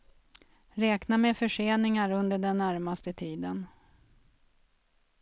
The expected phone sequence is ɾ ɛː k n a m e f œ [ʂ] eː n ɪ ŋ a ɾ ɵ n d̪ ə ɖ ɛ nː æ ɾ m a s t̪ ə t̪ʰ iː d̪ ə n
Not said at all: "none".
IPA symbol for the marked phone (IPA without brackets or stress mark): ʂ